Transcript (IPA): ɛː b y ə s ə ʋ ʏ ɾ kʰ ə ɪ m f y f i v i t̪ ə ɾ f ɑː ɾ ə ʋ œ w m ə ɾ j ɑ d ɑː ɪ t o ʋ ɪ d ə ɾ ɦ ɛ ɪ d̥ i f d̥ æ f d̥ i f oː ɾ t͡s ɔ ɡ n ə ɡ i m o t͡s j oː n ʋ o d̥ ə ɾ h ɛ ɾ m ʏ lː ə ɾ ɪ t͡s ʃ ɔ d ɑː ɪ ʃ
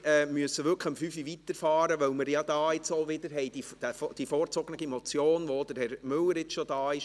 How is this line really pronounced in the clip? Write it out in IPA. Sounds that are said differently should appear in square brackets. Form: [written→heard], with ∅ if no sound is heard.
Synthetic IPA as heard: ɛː [b→m] y ə s ə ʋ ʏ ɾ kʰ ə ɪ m f y f i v i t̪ ə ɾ f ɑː ɾ ə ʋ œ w m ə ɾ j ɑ d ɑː ɪ [t→t͡s] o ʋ ɪ d ə ɾ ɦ ɛ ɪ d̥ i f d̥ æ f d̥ i f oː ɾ t͡s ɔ ɡ n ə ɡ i m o t͡s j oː n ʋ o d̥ ə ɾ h ɛ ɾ m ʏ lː ə ɾ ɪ t͡s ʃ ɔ d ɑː ɪ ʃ